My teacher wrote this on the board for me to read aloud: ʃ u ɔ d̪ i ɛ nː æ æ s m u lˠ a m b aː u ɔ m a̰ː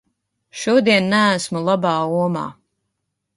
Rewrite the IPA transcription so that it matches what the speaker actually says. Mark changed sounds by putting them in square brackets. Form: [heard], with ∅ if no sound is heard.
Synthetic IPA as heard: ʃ u ɔ d̪ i ɛ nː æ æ s m u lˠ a [∅] b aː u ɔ m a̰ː